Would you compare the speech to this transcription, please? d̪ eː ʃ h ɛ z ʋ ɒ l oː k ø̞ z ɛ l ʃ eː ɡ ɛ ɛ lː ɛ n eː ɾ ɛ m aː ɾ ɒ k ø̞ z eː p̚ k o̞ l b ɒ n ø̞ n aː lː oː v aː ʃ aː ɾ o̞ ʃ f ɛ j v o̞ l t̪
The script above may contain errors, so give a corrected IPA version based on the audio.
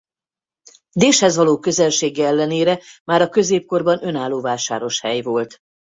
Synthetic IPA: d̪ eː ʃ h ɛ z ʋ ɒ l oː k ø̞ z ɛ l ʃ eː ɡ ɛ ɛ lː ɛ n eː ɾ ɛ m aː ɾ ɒ k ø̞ z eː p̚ k o̞ r b ɒ n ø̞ n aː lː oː v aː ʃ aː ɾ o̞ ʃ h ɛ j v o̞ l t̪

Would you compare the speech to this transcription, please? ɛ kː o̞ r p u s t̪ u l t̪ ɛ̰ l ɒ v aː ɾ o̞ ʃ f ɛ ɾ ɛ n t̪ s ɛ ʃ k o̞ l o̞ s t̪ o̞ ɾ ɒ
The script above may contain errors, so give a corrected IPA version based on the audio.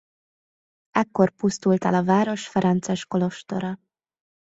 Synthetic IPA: ɛ kː o̞ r p u s t̪ u l t̪ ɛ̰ l ɒ v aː ɾ o̞ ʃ f ɛ ɾ ɛ n t̪ s ɛ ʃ k o̞ l o̞ ʃ t̪ o̞ ɾ ɒ

